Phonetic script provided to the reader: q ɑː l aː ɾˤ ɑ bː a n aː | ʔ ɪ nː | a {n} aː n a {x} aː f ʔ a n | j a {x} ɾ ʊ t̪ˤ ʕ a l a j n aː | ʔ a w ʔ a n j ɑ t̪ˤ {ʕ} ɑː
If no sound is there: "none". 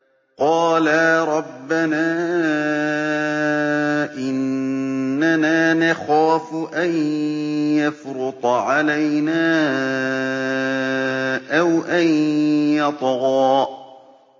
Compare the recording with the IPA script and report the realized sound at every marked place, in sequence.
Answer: n, x, f, ɣ

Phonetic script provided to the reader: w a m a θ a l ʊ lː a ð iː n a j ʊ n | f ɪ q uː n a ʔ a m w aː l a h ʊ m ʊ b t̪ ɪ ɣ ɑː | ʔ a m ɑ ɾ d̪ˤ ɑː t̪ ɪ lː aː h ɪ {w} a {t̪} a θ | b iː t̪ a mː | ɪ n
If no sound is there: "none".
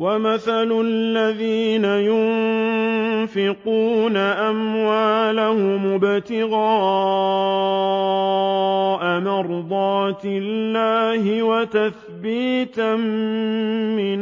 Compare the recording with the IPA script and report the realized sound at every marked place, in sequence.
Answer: w, t̪

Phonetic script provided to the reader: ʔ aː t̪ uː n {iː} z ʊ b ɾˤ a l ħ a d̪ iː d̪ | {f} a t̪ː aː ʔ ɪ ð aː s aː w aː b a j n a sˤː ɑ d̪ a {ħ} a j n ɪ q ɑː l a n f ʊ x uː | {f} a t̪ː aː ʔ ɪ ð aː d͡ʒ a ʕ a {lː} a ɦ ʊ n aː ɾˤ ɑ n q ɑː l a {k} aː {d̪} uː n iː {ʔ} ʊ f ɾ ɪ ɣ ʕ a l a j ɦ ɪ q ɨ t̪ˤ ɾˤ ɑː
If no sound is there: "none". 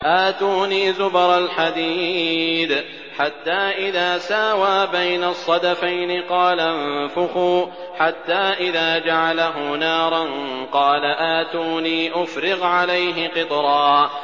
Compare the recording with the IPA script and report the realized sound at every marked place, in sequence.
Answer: iː, ħ, f, ħ, l, ʔ, t̪, ʔ

